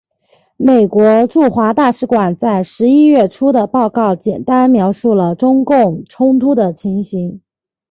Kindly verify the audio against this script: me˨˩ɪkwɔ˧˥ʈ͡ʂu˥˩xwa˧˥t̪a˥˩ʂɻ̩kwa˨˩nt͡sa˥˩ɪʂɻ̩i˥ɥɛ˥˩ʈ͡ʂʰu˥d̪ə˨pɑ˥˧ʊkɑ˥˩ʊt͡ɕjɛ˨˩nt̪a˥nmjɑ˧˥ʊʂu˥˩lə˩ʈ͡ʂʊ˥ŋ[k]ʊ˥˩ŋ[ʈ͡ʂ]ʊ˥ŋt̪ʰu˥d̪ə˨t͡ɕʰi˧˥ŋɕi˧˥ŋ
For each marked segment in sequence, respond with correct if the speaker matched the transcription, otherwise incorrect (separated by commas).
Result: correct, incorrect